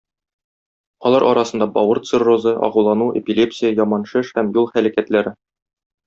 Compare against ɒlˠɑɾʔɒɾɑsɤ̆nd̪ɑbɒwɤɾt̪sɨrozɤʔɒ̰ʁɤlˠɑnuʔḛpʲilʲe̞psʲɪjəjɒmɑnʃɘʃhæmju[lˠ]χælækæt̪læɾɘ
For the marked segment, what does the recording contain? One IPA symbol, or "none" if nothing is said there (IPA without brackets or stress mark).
lˠ